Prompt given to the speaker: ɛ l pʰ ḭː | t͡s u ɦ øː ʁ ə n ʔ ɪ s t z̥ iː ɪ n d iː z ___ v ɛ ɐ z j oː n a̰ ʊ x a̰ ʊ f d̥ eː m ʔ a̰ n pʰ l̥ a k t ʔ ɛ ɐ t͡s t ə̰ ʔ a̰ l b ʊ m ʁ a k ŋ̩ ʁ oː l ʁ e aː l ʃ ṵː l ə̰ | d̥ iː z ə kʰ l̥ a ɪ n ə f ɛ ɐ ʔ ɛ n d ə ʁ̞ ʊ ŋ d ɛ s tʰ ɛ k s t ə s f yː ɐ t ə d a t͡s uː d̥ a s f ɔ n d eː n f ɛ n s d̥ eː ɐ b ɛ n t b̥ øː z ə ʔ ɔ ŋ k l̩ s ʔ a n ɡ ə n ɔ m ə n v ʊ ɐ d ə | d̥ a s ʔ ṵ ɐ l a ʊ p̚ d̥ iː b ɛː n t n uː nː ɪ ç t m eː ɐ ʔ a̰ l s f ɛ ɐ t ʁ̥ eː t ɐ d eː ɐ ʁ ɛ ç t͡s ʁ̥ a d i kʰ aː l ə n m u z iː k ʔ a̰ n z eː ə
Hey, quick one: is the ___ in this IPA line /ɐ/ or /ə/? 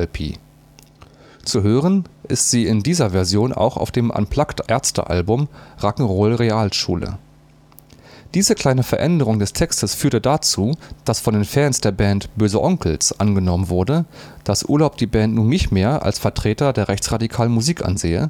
ɐ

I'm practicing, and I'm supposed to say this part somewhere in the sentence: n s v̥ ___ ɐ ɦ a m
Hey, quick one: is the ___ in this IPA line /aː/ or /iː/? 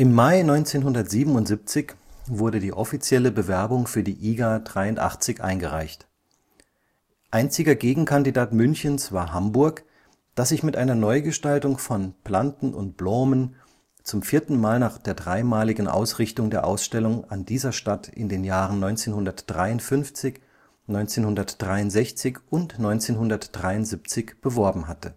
aː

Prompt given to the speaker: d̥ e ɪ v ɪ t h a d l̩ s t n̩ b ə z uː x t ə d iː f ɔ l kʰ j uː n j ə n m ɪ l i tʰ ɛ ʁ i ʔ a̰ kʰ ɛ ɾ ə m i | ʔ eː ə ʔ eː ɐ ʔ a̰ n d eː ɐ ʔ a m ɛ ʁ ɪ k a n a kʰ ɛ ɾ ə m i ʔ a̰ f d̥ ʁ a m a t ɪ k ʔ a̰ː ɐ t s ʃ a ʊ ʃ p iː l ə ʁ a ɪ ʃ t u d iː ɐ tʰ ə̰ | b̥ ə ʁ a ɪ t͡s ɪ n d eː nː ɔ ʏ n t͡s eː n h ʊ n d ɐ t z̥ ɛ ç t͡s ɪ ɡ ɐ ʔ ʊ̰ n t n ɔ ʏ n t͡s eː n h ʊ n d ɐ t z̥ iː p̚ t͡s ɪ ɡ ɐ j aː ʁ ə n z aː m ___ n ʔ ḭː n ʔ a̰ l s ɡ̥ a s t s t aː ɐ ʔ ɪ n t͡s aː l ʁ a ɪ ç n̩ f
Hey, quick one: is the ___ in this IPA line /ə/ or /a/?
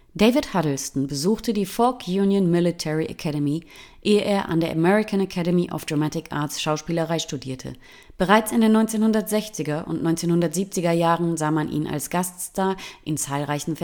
a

